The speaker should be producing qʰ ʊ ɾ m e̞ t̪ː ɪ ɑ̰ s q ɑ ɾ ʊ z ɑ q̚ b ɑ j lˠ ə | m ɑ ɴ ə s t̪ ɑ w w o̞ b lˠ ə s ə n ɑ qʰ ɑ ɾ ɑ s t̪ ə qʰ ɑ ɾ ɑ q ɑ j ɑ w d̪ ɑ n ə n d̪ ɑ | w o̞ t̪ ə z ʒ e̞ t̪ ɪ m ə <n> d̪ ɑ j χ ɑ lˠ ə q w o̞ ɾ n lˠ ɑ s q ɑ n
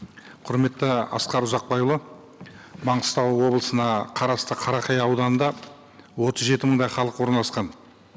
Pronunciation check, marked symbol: incorrect: ɴ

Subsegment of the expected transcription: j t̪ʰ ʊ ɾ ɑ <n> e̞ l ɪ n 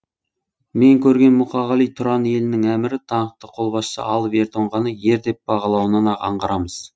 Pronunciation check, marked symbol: correct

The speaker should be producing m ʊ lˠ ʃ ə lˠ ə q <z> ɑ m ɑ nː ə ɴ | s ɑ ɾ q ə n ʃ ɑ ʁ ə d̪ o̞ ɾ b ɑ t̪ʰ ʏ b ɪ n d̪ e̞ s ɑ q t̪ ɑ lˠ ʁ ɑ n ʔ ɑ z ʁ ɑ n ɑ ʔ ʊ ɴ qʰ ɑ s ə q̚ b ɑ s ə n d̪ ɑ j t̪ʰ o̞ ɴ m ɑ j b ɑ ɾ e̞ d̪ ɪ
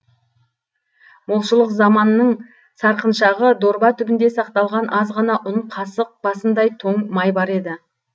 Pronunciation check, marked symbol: correct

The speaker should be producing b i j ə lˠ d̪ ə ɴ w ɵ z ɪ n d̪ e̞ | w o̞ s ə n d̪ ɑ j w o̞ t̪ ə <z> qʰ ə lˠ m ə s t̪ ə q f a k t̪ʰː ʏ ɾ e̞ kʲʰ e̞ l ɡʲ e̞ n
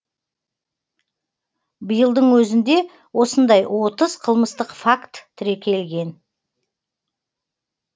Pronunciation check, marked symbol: correct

